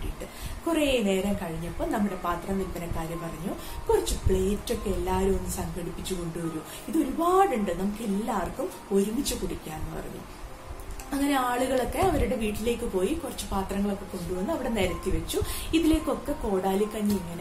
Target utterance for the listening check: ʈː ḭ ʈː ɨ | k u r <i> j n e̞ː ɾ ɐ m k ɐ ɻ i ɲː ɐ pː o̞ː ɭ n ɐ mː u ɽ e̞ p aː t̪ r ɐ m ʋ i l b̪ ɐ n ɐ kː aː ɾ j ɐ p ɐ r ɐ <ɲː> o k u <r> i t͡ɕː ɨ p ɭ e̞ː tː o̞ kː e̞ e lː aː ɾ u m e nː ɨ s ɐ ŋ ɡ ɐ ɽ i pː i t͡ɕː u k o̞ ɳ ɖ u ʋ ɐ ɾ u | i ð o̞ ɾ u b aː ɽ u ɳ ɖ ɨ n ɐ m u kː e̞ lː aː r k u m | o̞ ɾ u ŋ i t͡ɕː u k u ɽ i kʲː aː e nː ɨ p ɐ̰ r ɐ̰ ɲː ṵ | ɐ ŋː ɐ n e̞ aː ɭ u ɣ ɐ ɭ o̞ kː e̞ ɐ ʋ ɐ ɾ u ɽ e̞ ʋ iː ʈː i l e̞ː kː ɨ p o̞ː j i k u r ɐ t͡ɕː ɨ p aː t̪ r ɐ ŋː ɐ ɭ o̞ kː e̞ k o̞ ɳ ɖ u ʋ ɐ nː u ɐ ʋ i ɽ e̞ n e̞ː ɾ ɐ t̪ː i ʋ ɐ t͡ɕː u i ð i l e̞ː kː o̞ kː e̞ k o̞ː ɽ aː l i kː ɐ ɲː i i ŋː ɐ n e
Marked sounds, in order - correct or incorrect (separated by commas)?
incorrect, correct, correct